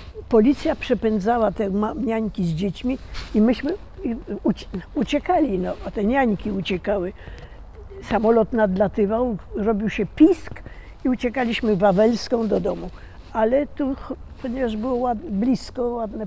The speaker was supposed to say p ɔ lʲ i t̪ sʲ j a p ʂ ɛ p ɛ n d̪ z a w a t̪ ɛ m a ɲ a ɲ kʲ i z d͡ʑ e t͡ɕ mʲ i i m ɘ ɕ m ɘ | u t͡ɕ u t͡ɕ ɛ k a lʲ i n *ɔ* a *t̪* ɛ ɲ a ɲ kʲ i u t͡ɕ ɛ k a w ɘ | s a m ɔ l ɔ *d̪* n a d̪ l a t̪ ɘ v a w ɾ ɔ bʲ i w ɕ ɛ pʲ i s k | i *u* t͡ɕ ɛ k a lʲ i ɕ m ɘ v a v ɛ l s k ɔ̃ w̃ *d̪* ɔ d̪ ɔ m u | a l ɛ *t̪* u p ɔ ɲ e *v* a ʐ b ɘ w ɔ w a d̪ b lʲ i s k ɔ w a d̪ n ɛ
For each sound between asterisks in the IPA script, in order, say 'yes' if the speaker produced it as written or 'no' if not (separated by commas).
yes, yes, no, yes, yes, yes, yes